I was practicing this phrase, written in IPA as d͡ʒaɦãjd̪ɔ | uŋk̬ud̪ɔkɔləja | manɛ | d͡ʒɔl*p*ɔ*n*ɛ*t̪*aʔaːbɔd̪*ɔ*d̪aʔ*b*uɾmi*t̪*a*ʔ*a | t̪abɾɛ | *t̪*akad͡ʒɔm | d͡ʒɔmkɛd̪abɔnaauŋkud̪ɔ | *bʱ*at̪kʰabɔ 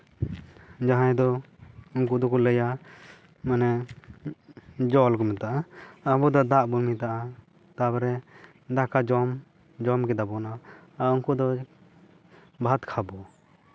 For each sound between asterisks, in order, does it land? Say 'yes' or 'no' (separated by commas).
no, no, yes, yes, yes, yes, yes, no, yes